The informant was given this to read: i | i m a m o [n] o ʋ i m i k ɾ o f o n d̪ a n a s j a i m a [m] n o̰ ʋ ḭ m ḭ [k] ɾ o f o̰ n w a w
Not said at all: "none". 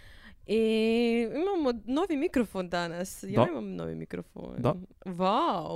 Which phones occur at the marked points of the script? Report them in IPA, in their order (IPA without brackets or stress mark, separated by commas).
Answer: n, m, k